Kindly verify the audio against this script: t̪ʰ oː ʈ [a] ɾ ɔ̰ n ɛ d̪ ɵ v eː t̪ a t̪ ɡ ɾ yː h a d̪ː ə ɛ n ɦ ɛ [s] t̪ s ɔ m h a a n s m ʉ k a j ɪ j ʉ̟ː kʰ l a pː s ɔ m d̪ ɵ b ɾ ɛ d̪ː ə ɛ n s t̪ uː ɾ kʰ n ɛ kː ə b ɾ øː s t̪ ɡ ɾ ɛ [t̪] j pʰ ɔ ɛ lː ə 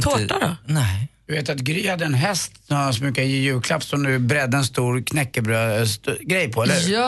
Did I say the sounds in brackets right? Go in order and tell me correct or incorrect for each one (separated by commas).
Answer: correct, correct, incorrect